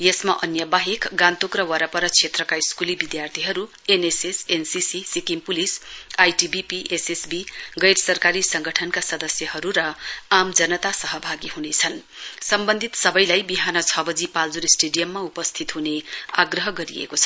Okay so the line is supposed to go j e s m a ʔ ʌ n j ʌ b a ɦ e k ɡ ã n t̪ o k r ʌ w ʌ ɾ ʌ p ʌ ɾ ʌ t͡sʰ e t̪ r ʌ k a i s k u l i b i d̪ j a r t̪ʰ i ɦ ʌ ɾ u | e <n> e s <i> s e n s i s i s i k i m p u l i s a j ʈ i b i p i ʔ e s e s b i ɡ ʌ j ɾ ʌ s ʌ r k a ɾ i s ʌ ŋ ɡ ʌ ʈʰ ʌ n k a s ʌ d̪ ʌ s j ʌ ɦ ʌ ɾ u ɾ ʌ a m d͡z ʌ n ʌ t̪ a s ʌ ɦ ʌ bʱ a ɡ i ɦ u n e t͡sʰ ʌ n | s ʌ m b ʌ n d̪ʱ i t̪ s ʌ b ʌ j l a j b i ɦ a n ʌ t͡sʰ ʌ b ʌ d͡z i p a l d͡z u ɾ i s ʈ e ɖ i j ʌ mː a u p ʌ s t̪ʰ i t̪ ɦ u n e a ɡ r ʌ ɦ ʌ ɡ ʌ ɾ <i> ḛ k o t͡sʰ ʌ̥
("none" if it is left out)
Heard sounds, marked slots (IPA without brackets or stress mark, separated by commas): n, e, i